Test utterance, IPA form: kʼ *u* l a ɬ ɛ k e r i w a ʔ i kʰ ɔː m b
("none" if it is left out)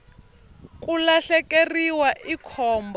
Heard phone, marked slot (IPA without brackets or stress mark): u